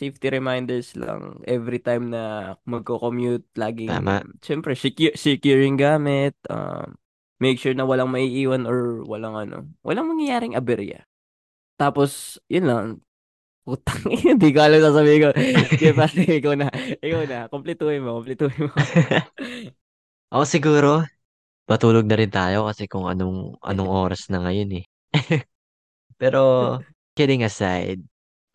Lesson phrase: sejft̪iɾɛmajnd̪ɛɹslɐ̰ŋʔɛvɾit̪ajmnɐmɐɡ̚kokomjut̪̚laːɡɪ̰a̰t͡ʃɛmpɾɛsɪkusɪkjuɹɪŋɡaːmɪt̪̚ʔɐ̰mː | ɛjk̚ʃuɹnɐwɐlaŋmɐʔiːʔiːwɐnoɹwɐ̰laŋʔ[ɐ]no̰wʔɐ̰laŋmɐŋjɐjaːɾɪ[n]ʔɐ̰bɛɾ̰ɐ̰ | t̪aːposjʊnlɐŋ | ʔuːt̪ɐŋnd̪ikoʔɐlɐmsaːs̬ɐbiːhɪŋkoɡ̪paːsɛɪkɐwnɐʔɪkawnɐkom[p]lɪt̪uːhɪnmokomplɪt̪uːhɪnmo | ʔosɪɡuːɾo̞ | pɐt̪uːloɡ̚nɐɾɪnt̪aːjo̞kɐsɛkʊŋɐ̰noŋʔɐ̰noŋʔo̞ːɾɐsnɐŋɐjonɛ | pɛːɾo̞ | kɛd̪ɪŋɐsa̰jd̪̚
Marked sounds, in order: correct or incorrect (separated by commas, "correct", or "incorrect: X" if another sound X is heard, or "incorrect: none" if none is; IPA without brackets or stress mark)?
correct, incorrect: ŋ, correct